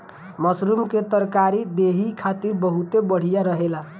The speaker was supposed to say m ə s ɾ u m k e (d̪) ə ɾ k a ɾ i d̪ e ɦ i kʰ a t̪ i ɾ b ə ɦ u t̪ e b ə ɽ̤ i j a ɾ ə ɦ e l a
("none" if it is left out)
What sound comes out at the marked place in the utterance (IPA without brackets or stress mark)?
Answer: t̪